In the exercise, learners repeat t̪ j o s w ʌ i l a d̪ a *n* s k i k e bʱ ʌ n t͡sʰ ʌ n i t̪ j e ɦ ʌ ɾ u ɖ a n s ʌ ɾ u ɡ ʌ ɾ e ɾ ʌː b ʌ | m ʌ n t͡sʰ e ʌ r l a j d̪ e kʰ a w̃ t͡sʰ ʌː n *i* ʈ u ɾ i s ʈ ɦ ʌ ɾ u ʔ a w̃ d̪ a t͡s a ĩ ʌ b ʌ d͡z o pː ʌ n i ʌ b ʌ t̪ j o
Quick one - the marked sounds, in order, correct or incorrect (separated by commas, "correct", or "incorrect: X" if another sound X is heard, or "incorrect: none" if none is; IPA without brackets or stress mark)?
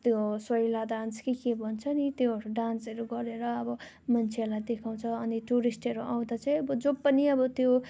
correct, correct